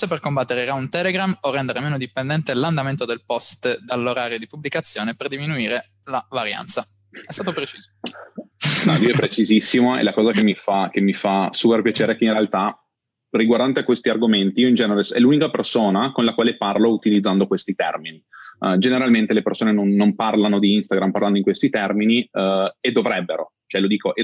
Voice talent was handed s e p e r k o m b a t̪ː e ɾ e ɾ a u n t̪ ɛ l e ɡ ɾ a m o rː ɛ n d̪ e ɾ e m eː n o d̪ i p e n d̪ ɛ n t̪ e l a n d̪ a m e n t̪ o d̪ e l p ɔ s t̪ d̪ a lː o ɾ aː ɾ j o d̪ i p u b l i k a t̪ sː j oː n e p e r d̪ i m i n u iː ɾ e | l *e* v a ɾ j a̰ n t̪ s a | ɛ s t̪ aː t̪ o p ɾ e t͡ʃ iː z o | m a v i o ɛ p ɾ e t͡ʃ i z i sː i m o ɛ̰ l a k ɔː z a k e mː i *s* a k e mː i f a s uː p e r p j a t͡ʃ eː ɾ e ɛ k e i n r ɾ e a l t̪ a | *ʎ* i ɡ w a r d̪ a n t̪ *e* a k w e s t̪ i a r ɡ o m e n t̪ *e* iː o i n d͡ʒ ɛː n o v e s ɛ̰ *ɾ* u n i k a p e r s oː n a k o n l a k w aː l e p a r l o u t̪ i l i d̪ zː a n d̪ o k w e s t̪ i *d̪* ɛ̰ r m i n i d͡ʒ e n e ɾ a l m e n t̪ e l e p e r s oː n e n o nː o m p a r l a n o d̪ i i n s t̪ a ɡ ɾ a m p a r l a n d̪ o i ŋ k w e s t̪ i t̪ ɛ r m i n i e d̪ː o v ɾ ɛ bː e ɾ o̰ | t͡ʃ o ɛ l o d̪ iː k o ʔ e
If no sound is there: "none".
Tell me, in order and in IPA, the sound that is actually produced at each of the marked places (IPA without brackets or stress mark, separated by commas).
a, f, r, e, i, l, t̪